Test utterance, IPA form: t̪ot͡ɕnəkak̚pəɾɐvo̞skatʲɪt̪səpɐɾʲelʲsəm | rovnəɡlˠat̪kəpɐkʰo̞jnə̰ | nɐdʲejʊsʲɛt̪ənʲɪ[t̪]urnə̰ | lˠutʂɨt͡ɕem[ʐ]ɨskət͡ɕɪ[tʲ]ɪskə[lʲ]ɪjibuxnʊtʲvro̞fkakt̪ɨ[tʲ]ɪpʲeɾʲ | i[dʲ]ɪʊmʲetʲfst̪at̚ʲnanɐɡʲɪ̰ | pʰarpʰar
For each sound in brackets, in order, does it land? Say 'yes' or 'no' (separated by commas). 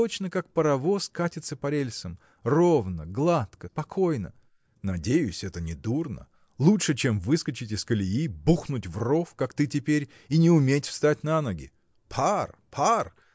no, no, yes, yes, yes, no